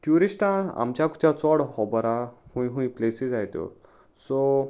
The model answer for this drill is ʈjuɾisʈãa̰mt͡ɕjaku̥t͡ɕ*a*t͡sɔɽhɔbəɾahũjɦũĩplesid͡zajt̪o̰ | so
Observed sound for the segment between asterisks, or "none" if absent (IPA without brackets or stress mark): a